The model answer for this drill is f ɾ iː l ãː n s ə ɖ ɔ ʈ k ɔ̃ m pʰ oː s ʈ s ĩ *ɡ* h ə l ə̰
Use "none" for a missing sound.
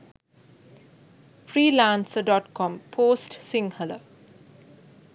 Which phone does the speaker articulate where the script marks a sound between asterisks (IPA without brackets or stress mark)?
ŋ